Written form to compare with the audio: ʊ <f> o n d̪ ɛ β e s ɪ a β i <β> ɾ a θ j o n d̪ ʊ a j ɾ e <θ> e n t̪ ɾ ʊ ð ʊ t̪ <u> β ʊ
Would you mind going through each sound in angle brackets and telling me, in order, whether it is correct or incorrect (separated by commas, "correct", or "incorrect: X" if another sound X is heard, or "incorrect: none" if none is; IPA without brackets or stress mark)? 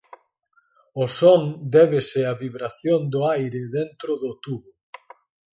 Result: incorrect: s, correct, incorrect: ð, correct